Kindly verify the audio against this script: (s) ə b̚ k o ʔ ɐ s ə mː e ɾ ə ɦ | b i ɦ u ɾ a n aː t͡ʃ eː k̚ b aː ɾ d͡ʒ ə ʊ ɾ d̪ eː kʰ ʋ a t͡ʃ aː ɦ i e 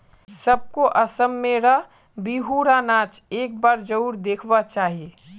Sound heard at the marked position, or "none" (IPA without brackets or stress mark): s